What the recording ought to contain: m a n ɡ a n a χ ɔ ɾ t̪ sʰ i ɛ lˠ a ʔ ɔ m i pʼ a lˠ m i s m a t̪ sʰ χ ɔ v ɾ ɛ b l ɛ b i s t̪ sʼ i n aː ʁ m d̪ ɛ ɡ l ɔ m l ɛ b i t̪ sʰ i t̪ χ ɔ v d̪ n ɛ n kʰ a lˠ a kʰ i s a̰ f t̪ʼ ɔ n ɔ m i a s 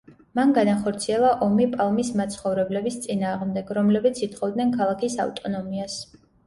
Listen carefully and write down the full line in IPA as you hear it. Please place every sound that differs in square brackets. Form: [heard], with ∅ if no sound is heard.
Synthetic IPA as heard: m a n ɡ a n a χ ɔ ɾ t̪ sʰ i ɛ lˠ a ʔ ɔ m i pʼ a lˠ m i s m a t̪ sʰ χ ɔ v ɾ ɛ b l ɛ b i s t̪ sʼ i n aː ʁ m d̪ ɛ ɡ [ɾ] ɔ m l ɛ b i t̪ sʰ i t̪ χ ɔ v d̪ n ɛ n kʰ a lˠ a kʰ i s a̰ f t̪ʼ ɔ n ɔ m i a s